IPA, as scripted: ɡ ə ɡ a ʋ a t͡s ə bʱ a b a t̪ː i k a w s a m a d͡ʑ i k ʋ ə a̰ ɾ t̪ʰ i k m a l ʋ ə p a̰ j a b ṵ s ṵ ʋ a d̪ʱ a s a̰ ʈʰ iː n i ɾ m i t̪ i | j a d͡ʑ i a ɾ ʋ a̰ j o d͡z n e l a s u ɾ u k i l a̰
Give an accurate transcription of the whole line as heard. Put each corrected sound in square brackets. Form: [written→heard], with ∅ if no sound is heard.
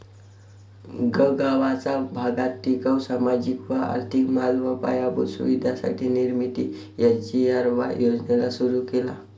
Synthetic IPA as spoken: ɡ ə ɡ a ʋ a t͡s [ə→a] bʱ a [b→ɡ] a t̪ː i k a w s a m a d͡ʑ i k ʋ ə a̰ ɾ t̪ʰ i k m a l ʋ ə p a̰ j a b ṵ s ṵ ʋ [a→i] d̪ʱ a s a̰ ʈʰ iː n i ɾ m i t̪ i | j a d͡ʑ i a ɾ ʋ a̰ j o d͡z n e l a s u ɾ u k [i→e] l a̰